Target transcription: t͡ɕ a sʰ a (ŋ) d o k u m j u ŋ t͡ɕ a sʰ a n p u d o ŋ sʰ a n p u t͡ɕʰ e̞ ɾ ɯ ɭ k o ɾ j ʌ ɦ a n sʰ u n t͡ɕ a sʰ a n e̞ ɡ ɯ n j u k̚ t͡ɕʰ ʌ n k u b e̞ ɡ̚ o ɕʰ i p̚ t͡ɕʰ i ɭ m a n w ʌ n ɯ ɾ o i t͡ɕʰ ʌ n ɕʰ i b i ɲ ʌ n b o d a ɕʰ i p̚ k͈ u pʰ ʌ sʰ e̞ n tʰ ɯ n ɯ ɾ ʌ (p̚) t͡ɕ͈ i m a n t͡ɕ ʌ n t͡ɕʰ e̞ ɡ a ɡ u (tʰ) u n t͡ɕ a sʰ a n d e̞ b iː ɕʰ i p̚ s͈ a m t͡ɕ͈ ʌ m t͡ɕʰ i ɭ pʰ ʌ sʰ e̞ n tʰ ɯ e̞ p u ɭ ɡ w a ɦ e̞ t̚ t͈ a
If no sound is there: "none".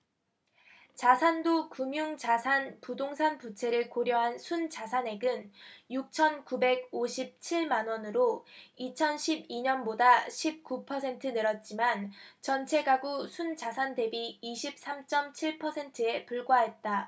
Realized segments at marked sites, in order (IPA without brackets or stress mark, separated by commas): n, t̚, sʰ